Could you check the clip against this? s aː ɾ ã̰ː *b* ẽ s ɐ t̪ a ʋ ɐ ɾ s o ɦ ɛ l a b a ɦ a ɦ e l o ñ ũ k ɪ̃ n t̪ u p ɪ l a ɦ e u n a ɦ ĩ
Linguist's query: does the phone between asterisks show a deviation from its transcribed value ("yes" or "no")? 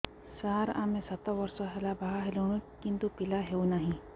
yes